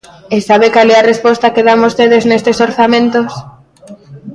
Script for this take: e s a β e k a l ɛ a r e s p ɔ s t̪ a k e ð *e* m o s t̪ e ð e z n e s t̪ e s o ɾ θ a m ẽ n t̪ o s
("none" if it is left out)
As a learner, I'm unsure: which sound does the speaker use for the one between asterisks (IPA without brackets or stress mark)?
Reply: a